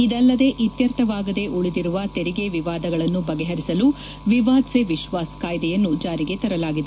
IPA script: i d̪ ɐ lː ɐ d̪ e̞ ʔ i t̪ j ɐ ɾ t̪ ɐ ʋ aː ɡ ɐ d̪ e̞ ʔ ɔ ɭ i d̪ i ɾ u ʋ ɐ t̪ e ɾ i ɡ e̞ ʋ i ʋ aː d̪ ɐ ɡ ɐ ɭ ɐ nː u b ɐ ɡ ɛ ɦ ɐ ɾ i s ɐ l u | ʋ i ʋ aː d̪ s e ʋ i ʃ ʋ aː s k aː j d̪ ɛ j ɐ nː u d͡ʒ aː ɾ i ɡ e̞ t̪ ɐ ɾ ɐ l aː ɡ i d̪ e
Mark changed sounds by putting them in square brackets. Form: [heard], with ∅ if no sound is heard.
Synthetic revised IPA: i d̪ ɐ lː ɐ d̪ e̞ ʔ i t̪ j ɐ ɾ t̪ ɐ ʋ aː ɡ ɐ d̪ e̞ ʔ [u] ɭ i d̪ i ɾ u ʋ ɐ t̪ e ɾ i ɡ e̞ ʋ i ʋ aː d̪ ɐ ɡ ɐ ɭ ɐ nː u b ɐ ɡ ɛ ɦ ɐ ɾ i s ɐ l u | ʋ i ʋ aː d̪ s e ʋ i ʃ ʋ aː s k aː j d̪ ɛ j ɐ nː u d͡ʒ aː ɾ i ɡ e̞ t̪ ɐ ɾ ɐ l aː ɡ i d̪ e